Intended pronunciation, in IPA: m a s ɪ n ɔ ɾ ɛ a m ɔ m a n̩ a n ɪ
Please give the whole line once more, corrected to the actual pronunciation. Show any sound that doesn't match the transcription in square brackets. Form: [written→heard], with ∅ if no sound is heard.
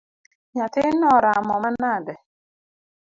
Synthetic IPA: [m→ɲ] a [s→t] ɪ n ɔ ɾ [ɛ→a] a m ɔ m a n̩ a [n→d] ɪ